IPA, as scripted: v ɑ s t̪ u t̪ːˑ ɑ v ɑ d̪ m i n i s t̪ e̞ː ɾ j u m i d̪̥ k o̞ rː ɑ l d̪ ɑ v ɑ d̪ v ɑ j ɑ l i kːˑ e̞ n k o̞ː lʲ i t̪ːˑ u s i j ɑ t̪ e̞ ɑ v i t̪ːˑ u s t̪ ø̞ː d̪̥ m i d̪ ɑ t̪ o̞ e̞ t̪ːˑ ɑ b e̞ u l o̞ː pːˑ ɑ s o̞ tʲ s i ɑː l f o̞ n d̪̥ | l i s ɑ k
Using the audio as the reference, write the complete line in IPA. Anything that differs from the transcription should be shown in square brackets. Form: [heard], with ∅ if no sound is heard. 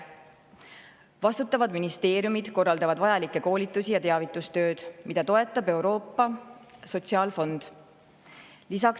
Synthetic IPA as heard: v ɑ s t̪ u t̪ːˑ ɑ v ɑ d̪ m i n i s t̪ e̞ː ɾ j u m i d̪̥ k o̞ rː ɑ l d̪ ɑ v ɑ d̪ v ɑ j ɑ l i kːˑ e̞ [∅] k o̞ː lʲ i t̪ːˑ u s i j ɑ t̪ e̞ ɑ v i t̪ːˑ u s t̪ ø̞ː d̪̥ m i d̪ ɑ t̪ o̞ e̞ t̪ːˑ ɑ b e̞ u [ɾ] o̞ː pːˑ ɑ s o̞ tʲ s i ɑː l f o̞ n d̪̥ | l i s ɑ k